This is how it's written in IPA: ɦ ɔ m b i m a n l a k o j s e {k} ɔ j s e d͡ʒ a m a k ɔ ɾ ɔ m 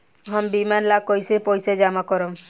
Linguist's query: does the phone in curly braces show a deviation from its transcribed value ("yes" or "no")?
yes